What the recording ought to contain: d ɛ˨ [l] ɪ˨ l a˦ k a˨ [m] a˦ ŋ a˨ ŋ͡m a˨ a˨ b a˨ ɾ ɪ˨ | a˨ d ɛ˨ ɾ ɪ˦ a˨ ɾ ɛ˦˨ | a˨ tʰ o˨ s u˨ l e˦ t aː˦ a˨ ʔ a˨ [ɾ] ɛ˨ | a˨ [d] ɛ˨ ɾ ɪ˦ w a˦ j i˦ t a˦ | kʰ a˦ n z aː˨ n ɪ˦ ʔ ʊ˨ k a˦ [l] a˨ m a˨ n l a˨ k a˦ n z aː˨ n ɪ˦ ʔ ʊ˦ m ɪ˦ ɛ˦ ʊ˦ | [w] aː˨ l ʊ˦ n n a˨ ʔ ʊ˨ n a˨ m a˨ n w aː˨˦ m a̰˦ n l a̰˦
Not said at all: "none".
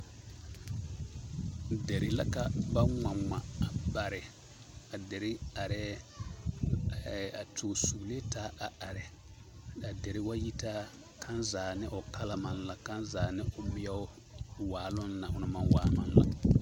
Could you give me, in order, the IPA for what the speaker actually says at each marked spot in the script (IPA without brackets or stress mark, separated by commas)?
ɾ, b, ɾ, d, l, w